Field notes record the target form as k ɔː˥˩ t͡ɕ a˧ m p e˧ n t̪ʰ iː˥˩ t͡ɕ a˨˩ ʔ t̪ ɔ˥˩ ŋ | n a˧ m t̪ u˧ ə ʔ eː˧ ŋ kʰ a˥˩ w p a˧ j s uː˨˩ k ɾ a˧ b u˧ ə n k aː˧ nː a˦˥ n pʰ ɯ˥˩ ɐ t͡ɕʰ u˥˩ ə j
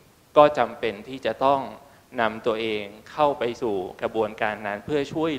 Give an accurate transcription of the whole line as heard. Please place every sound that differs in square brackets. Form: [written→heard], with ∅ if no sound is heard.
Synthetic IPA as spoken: k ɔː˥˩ t͡ɕ a˧ m p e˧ n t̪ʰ iː˥˩ t͡ɕ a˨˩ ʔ t̪ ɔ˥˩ ŋ | n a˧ m t̪ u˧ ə ʔ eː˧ ŋ kʰ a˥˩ w p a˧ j s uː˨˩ k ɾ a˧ b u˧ ə n k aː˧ nː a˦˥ n pʰ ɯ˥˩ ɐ t͡ɕʰ u˥˩ ə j